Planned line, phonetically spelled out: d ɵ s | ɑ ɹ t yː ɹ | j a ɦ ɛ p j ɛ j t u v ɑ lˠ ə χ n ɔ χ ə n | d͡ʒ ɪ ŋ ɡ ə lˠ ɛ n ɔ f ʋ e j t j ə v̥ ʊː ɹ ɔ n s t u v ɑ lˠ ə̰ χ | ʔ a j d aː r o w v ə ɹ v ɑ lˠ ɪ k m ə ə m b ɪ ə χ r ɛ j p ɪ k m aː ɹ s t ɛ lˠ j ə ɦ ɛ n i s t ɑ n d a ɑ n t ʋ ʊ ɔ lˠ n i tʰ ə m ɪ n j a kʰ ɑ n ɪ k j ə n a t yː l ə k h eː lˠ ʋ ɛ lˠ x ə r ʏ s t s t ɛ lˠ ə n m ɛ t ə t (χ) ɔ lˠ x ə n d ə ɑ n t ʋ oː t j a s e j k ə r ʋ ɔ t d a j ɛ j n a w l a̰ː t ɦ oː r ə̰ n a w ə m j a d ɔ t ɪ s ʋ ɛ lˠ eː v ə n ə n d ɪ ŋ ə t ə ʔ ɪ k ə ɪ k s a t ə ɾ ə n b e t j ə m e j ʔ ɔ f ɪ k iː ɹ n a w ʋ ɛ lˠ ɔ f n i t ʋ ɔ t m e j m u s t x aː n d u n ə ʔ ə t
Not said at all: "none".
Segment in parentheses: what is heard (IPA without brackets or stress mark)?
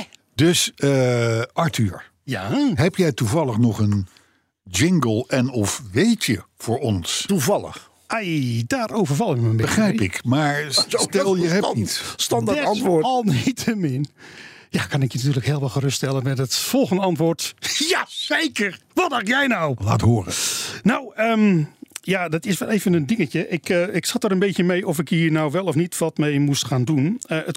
f